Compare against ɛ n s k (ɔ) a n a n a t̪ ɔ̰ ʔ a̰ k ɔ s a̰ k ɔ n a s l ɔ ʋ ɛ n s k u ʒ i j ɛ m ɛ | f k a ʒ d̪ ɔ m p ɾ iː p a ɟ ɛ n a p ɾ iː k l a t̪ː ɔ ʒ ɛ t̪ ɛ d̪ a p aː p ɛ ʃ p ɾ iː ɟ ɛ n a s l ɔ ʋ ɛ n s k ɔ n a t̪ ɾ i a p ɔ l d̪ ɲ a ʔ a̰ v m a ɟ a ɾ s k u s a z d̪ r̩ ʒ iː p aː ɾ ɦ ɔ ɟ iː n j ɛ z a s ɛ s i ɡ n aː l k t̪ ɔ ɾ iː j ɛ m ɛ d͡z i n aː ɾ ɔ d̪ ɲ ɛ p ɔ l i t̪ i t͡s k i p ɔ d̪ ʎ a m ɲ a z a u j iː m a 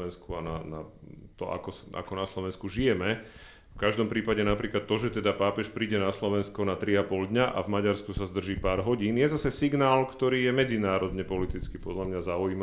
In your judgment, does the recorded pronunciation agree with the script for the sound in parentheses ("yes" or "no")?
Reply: no